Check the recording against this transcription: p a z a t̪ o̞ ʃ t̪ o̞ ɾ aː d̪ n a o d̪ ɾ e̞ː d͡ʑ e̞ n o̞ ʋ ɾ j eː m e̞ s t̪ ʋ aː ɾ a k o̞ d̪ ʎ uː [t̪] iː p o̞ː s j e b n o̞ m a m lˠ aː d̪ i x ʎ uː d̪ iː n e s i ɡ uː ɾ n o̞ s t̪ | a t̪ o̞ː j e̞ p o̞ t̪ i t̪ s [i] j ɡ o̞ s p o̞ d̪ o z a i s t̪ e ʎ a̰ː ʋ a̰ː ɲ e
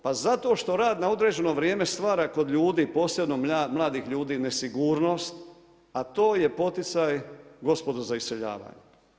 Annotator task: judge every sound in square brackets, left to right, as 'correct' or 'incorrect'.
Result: incorrect, incorrect

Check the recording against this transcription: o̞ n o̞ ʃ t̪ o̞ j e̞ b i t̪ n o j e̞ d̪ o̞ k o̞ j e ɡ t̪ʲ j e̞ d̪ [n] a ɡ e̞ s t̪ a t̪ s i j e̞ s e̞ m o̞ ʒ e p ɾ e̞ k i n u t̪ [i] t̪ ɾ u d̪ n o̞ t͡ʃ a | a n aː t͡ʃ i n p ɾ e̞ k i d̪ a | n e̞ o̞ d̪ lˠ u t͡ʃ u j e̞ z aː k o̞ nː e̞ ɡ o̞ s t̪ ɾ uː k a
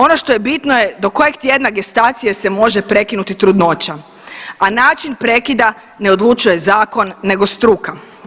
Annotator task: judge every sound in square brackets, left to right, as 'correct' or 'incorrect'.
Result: correct, correct

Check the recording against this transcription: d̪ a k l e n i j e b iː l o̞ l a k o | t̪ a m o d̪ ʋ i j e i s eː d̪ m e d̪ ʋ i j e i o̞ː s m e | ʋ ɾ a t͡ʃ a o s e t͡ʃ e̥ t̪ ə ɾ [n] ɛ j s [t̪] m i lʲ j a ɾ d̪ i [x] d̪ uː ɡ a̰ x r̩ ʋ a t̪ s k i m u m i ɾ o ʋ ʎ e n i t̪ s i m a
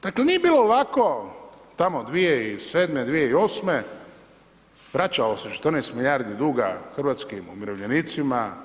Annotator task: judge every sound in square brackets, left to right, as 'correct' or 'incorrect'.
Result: correct, correct, incorrect

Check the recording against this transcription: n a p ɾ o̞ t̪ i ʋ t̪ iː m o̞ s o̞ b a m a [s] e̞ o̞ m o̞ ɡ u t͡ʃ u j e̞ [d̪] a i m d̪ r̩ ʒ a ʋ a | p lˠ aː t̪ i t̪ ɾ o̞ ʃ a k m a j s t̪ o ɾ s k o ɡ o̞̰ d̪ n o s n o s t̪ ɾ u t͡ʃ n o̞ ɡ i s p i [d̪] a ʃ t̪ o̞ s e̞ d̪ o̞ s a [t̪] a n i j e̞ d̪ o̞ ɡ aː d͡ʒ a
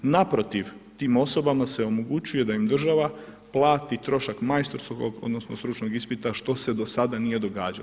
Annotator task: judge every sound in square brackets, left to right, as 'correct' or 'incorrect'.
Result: correct, correct, incorrect, incorrect

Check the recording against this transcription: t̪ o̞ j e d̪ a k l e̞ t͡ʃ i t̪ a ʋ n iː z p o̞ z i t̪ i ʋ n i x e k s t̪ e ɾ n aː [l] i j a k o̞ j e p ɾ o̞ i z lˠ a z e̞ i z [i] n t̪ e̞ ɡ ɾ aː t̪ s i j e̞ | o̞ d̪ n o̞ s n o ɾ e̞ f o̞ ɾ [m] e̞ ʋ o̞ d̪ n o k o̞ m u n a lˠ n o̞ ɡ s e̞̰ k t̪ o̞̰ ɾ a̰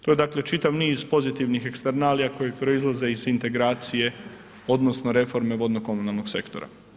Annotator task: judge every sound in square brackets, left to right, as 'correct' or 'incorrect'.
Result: correct, correct, correct

